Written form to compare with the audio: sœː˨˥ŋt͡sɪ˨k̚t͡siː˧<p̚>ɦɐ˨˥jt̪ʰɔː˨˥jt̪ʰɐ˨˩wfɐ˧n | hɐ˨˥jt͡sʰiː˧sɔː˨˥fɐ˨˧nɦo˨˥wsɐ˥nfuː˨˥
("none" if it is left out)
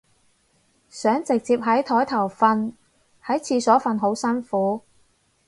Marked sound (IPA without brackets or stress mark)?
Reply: p̚